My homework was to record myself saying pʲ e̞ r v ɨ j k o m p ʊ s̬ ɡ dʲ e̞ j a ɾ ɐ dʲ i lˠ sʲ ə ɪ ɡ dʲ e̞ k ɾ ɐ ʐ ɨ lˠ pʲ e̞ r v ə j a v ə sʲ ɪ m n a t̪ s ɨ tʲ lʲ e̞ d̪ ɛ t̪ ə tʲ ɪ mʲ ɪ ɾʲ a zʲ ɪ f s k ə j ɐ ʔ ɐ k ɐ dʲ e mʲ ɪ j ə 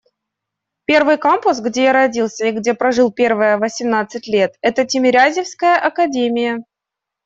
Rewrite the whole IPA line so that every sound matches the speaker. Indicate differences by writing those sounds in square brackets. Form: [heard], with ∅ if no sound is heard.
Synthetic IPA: pʲ e̞ r v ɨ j k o m p ʊ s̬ ɡ dʲ e̞ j a ɾ ɐ dʲ i lˠ sʲ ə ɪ ɡ dʲ e̞ [p] ɾ ɐ ʐ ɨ lˠ pʲ e̞ r v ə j [ə] v ə sʲ ɪ m n a t̪ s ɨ tʲ lʲ e̞ [t̪] ɛ t̪ ə tʲ ɪ mʲ ɪ ɾʲ a zʲ ɪ f s k ə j [ə] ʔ ɐ k ɐ dʲ e mʲ ɪ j ə